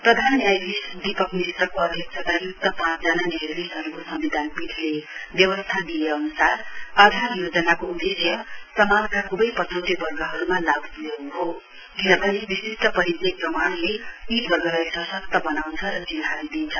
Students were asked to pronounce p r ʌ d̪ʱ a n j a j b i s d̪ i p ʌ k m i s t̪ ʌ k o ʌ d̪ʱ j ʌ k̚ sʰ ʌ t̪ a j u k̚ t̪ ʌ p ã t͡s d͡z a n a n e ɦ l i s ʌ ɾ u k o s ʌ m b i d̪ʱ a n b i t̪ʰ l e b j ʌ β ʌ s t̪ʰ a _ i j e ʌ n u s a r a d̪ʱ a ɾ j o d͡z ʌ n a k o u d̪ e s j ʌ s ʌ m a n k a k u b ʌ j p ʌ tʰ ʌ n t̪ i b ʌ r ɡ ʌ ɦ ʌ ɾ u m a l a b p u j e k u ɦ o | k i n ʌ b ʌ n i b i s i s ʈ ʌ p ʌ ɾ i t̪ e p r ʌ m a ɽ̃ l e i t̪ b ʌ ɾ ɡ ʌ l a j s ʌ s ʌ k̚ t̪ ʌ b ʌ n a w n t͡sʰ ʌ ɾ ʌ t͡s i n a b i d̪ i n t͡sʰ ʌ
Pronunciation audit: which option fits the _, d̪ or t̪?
d̪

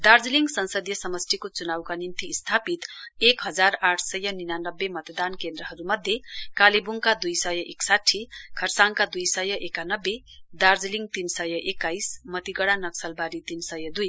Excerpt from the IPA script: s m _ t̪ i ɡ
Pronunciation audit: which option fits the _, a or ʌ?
ʌ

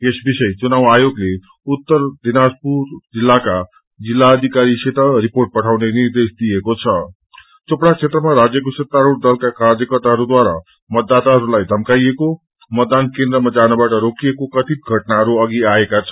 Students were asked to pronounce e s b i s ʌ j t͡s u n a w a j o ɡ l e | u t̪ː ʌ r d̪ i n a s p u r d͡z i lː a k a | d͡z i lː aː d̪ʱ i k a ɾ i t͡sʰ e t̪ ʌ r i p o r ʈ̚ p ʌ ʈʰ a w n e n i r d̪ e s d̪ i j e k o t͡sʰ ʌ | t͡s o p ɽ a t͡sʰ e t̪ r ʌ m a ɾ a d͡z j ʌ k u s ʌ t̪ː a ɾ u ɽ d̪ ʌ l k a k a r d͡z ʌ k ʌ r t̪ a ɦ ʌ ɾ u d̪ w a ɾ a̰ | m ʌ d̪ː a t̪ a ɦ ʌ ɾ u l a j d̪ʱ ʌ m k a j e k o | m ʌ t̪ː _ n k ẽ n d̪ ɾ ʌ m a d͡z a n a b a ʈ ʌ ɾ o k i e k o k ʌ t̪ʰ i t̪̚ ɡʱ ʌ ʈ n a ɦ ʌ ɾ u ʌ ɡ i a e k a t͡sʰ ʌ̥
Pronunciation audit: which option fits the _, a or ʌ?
a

